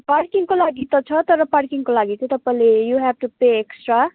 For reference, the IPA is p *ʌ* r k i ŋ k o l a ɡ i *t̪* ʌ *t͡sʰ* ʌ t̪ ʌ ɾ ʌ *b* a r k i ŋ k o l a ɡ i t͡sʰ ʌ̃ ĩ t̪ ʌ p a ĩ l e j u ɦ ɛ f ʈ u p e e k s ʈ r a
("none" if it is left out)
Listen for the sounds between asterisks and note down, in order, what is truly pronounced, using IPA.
a, t̪, t͡sʰ, p

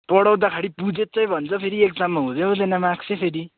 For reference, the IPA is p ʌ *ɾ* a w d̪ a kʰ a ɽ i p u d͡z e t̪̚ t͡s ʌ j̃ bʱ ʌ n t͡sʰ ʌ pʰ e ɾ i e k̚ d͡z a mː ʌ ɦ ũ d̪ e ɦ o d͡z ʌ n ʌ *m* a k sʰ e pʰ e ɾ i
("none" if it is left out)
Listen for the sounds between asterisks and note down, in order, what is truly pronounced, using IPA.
ɽ, m

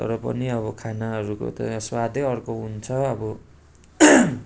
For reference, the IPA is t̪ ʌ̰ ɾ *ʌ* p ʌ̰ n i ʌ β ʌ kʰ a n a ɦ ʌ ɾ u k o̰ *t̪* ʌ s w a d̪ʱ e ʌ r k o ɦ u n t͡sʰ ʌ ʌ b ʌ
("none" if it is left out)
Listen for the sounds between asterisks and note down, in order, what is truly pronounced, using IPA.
ʌ, t̪

